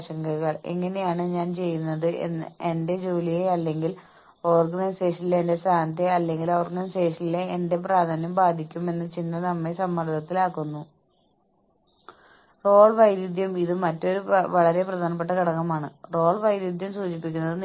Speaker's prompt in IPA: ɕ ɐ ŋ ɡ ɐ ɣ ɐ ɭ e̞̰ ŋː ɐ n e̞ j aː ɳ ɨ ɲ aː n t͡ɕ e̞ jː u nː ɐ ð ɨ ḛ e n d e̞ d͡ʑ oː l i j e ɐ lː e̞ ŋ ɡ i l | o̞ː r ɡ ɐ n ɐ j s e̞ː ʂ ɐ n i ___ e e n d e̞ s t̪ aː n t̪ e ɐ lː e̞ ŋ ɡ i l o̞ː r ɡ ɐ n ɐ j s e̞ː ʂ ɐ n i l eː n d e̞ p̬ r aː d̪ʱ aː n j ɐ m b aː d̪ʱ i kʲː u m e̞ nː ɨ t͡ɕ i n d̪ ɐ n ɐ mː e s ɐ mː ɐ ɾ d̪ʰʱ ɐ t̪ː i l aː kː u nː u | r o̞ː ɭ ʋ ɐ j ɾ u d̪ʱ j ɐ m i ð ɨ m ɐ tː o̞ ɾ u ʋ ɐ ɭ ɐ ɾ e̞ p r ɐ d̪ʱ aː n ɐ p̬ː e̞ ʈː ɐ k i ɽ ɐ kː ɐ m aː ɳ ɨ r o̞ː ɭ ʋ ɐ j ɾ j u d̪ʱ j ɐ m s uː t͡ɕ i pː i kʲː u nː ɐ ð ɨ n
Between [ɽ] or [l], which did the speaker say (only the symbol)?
l